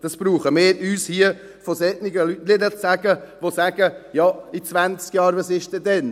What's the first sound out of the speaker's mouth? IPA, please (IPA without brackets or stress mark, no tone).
d̥